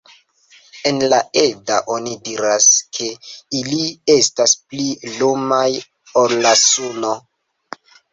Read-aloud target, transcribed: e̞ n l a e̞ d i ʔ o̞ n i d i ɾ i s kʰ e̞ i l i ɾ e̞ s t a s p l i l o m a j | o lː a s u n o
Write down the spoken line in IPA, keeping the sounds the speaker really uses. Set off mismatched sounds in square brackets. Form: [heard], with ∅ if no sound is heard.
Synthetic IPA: e̞ n l a e̞ d [a] ʔ o̞ n i d i ɾ [a] s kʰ e̞ i l i [∅] e̞ s t a s p l i l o m a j | o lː a s u n o